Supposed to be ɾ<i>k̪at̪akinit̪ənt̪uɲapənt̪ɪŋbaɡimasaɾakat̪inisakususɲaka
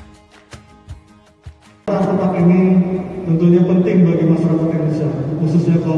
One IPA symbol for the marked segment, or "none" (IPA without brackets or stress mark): a